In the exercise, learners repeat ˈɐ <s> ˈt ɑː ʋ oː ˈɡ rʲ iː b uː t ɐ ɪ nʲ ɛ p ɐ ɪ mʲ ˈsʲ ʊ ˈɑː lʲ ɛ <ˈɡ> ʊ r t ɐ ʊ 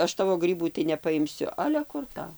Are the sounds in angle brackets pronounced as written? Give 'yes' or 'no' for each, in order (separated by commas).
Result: no, no